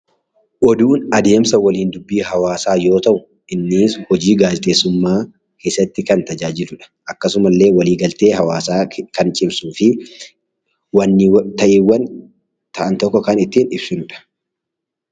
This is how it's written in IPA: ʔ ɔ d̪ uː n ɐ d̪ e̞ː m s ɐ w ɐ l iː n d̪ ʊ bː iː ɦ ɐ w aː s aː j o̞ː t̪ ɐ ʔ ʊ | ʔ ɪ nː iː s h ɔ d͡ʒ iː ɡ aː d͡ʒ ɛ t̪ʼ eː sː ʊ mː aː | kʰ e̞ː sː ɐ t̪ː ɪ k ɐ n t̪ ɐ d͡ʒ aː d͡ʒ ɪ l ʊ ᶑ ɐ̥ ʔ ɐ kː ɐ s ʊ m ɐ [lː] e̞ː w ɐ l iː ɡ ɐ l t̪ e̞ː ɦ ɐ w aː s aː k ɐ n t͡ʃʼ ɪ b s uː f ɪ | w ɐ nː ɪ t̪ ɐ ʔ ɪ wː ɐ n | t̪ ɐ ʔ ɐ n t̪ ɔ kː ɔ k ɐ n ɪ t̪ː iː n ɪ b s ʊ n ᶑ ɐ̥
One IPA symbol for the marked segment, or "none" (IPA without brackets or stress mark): lː